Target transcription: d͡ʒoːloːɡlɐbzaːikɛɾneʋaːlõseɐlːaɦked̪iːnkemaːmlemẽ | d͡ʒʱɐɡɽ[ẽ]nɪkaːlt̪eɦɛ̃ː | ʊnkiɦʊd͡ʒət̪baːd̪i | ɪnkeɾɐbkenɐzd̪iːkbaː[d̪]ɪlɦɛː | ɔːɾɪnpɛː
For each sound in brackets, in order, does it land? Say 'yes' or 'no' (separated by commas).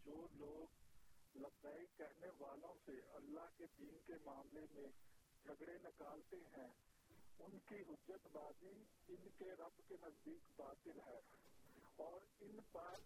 no, no